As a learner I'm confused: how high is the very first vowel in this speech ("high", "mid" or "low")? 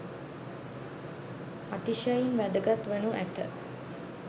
low